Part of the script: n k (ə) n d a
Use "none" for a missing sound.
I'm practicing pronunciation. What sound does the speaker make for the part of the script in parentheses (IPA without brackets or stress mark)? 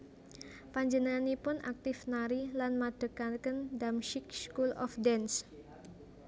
ə